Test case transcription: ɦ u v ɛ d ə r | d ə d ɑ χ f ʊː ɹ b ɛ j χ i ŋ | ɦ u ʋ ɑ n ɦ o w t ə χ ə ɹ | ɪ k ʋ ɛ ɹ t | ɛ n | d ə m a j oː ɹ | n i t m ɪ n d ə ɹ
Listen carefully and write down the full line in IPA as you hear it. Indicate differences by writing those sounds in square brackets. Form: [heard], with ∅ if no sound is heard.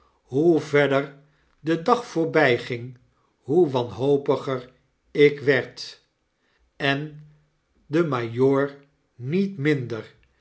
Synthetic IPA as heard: ɦ u v ɛ d ə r | d ə d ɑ χ f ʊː ɹ b ɛ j χ [ɪ] ŋ | ɦ u ʋ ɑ n ɦ o w [p] ə χ ə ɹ | ɪ k ʋ ɛ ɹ t | ɛ n | d ə m a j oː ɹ | n i t m ɪ n d ə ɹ